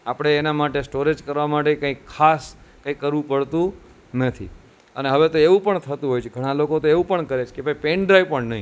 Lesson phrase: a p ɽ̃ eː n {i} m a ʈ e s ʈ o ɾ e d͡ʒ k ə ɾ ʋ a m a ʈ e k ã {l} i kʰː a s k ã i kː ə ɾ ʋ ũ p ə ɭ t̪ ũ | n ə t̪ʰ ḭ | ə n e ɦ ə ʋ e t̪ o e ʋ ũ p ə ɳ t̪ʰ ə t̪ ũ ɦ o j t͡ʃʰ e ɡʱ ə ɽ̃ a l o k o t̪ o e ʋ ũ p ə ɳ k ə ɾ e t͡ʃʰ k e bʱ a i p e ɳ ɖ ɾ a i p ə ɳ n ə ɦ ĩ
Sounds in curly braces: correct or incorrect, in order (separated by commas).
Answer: incorrect, incorrect